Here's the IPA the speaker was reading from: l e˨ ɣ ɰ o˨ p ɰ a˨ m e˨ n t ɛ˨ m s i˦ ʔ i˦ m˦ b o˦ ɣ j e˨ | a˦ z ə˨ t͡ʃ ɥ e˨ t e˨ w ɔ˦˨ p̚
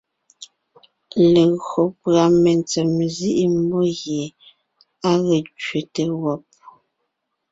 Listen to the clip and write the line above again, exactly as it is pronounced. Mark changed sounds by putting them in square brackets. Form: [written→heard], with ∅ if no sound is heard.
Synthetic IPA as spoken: l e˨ ɣ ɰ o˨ p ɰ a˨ m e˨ n [t→t͡s] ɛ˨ m [s→z] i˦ ʔ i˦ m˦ b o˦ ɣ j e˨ | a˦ [z→ɣ] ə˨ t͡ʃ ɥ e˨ t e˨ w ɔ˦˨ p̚